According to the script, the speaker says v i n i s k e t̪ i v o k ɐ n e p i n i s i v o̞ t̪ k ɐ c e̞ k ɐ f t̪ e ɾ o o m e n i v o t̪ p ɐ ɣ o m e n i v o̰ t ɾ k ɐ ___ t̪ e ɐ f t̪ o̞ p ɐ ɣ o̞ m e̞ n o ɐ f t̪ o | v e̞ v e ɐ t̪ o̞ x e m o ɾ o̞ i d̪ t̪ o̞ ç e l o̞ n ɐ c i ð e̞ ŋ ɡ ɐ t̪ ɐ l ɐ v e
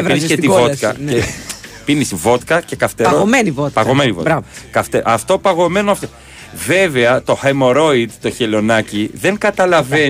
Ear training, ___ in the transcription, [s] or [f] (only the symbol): f